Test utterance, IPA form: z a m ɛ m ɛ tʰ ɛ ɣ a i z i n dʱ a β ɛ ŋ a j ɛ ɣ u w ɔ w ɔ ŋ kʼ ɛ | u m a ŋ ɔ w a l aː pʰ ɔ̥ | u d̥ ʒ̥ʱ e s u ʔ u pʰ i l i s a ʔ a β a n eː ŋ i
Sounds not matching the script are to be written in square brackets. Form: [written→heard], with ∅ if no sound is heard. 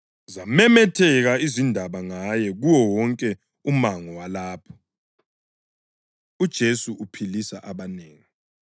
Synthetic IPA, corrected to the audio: z a m ɛ m ɛ tʰ ɛ ɣ a i z i n dʱ a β [ɛ→a] ŋ a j ɛ ɣ u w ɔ w ɔ ŋ kʼ ɛ | u m a ŋ ɔ w a l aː pʰ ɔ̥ | u d̥ ʒ̥ʱ e s u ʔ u pʰ i l i s a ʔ a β a n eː ŋ i

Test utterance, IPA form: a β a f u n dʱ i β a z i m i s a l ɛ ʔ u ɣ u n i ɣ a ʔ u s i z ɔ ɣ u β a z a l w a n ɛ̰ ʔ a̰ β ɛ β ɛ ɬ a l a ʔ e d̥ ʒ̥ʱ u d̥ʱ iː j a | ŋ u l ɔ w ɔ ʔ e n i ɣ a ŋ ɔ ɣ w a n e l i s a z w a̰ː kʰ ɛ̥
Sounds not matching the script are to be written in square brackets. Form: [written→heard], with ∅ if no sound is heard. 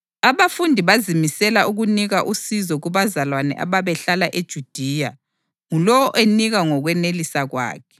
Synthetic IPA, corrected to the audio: a β a f u n dʱ i β a z i m i s [a→ɛ] l [ɛ→a] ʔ u ɣ u n i ɣ a ʔ u s i z ɔ ɣ u β a z a l w a n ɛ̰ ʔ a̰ β [ɛ→a] β ɛ ɬ a l a ʔ e d̥ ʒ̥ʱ u d̥ʱ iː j a | ŋ u l ɔ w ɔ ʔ e n i ɣ a ŋ ɔ ɣ w [a→ɛ] n e l i s a [z→ɣ] w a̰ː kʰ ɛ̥

